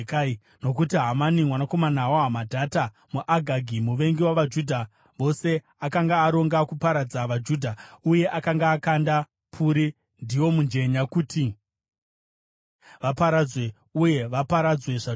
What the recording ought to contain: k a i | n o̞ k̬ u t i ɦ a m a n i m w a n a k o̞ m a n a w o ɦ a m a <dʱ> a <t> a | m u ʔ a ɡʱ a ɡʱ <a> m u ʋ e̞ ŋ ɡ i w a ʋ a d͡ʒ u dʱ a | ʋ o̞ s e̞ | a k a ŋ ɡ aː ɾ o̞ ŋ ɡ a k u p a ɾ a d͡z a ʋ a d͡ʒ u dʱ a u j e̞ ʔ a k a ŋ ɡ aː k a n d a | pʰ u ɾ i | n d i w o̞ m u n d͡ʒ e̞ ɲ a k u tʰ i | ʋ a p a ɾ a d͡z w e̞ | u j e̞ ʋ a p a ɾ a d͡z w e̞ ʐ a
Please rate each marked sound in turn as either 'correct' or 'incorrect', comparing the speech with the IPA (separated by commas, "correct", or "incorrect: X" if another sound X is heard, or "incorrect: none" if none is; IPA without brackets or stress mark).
correct, correct, incorrect: i